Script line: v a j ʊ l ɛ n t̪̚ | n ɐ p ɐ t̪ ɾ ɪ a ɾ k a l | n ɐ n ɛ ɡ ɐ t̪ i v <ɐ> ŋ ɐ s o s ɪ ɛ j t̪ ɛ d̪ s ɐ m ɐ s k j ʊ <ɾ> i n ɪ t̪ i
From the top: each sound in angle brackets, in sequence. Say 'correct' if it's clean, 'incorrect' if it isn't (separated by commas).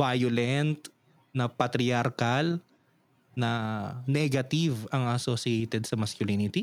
correct, incorrect